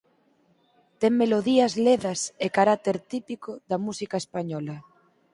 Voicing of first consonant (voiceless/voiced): voiceless